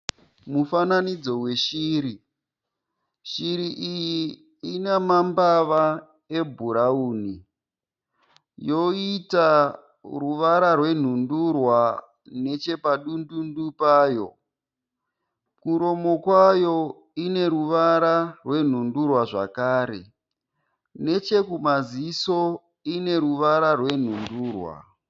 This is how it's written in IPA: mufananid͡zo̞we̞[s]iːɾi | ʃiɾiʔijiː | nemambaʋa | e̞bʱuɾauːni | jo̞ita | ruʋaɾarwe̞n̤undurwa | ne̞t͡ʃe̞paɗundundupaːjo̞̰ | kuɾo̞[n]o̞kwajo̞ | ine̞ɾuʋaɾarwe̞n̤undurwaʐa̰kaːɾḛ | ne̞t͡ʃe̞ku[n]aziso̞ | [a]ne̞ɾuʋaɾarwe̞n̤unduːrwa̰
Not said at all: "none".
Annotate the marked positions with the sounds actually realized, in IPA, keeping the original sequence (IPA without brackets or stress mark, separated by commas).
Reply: ʃ, m, m, i